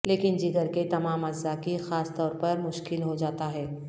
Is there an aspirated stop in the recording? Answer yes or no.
no